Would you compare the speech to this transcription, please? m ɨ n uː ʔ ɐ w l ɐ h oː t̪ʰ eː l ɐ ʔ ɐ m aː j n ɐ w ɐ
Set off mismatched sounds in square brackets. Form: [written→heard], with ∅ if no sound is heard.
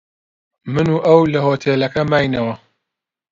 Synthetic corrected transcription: m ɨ n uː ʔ ɐ w l ɐ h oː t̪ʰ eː l ɐ [ʔ→k] ɐ m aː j n ɐ w ɐ